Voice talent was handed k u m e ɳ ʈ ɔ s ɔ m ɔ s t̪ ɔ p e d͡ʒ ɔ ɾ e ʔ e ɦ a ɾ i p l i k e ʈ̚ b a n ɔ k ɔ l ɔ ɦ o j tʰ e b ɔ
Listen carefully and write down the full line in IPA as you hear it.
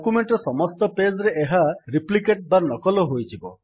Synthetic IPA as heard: k u m e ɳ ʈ ɔ s ɔ m ɔ s t̪ ɔ p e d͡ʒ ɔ ɾ e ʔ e ɦ a ɾ i p l i k e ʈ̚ b a n ɔ k ɔ l ɔ ɦ o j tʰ i b ɔ